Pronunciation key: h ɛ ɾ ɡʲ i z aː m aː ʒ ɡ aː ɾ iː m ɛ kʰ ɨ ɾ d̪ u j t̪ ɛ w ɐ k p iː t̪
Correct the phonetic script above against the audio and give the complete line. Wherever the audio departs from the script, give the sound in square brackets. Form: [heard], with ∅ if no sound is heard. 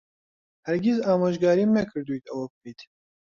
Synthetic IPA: h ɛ ɾ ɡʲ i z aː m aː ʒ ɡ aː ɾ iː m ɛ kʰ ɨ ɾ d̪ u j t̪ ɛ w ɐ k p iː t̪